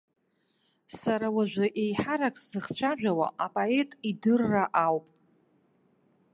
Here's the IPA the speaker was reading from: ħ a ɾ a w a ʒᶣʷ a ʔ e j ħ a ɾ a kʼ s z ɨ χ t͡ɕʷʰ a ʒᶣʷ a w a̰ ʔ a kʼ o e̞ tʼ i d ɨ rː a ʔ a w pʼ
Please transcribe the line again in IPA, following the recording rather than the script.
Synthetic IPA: s a ɾ a w a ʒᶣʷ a ʔ e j ħ a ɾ a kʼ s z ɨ χ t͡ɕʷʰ a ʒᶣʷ a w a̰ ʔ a pʼ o e̞ tʼ i d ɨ rː a ʔ a w pʼ